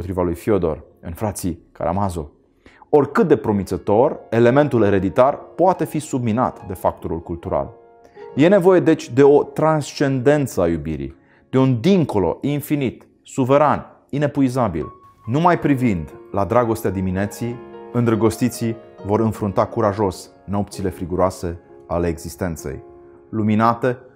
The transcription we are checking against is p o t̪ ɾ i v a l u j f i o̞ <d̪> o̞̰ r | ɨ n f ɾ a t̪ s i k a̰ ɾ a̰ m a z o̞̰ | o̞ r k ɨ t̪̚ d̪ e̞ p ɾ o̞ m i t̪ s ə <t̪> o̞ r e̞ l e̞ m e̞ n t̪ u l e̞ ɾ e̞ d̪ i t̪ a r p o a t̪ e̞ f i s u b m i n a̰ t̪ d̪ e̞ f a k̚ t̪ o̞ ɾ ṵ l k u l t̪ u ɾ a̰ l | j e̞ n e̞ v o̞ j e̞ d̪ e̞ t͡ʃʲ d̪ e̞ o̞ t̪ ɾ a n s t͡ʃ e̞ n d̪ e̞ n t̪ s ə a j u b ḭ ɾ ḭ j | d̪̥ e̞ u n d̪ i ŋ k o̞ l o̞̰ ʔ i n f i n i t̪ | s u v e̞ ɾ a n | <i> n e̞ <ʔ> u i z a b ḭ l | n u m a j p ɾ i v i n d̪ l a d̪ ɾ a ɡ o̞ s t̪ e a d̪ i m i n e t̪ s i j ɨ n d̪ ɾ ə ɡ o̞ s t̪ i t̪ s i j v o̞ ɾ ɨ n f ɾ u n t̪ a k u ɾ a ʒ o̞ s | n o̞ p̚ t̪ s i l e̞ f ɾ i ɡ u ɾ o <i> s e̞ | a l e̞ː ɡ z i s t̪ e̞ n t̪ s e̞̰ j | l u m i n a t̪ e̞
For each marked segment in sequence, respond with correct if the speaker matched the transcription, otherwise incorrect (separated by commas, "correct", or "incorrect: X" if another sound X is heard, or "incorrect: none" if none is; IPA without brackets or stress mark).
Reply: correct, correct, correct, incorrect: p, incorrect: a